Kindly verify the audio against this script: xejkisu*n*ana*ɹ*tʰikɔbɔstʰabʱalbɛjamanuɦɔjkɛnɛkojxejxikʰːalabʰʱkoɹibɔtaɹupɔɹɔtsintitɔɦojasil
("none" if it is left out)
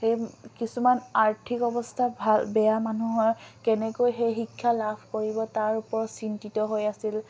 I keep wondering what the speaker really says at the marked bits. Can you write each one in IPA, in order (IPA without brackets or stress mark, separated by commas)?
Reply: m, ɹ